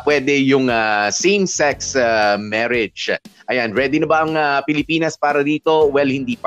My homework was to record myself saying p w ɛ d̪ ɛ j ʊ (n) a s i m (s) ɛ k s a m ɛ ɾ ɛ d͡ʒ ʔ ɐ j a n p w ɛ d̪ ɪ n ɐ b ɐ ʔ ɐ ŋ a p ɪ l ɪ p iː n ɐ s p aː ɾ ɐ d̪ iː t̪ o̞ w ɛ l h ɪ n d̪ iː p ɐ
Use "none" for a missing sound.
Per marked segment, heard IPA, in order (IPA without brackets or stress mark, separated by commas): ŋ, s